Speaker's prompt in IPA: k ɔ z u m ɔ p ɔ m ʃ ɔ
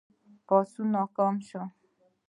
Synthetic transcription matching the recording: p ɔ s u n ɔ k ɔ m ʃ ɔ